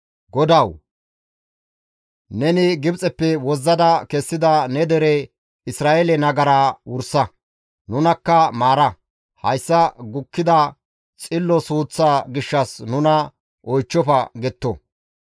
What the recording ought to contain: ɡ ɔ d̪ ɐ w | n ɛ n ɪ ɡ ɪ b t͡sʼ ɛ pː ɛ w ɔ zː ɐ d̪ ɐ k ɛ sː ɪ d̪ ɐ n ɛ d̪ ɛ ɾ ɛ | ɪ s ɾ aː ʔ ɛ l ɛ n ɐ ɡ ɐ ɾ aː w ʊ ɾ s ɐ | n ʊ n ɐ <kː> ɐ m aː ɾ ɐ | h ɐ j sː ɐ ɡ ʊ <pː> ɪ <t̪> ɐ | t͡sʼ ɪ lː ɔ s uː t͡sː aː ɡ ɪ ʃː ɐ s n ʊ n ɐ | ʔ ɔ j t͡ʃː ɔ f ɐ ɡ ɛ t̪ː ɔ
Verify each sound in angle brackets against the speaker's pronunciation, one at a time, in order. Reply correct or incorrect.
correct, incorrect: kː, incorrect: d̪

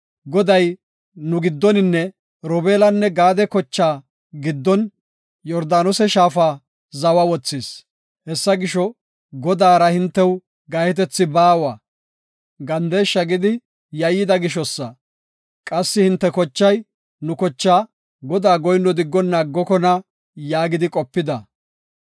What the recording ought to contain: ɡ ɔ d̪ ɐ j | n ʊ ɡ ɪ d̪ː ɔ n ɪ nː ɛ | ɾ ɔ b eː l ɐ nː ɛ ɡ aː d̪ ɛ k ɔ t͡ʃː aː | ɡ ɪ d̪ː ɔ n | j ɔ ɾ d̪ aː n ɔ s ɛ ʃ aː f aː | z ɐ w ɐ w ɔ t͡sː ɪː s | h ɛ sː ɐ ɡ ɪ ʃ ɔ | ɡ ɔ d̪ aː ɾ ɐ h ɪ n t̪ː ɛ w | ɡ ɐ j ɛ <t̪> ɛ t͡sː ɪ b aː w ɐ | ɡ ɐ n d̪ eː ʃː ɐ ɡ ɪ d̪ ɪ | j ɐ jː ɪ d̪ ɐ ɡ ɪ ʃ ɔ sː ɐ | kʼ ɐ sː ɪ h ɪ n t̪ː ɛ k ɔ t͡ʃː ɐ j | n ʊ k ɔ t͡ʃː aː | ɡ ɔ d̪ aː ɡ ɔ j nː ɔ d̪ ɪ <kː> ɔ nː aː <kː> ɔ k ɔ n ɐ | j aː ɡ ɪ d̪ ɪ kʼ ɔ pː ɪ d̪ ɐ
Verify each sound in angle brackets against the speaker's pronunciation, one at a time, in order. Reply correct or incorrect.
correct, incorrect: ɡː, incorrect: ɡː

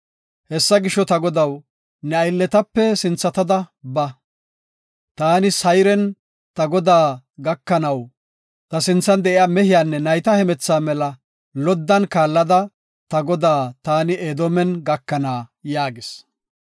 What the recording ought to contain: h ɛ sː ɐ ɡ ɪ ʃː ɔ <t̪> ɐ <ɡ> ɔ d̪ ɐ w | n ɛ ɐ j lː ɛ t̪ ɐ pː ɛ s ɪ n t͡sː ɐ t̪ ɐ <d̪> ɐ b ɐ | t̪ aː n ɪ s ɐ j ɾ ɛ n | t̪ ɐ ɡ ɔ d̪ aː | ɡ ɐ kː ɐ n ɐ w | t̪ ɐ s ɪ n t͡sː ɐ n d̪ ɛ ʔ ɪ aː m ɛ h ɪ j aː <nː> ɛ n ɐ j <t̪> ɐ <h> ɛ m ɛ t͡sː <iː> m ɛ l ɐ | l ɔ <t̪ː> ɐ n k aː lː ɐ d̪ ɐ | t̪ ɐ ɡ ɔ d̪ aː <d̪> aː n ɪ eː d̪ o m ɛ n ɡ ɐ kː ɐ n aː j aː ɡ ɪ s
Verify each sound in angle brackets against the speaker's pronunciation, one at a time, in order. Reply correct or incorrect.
correct, correct, correct, correct, correct, correct, incorrect: aː, incorrect: d̪ː, incorrect: t̪

